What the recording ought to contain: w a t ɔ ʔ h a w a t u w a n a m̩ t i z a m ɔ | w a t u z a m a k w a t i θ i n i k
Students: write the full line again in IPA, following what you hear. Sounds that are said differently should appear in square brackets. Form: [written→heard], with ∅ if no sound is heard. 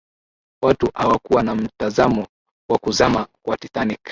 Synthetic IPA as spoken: w a t [ɔ→u] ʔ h a w a [t→k] u w a n a m̩ t [i→a] z a m ɔ | w a [t→k] u z a m a k w a t i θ [i→a] n i k

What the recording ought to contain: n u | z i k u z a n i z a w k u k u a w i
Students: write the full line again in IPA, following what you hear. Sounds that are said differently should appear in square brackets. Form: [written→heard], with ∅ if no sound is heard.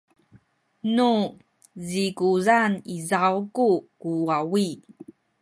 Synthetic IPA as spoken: n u | z i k u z a n i z a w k u k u a w i

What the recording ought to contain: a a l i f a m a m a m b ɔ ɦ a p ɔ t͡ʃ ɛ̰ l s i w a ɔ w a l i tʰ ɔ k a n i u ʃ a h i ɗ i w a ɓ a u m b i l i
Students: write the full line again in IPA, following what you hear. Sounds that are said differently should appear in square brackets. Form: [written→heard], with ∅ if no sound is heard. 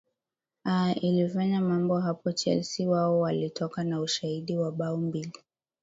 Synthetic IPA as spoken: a [a→i] l i f a [m→ɲ] a m a m b ɔ ɦ a p ɔ t͡ʃ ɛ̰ l s i w a ɔ w a l i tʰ ɔ k a n [i→a] u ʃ a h i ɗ i w a ɓ a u m b i l i

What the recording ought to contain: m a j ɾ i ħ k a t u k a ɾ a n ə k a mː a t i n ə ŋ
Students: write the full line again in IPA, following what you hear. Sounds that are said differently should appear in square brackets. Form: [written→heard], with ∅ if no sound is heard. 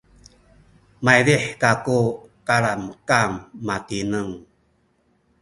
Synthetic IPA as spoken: m a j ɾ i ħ k a [t→k] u k a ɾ a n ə k a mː a t i n ə ŋ

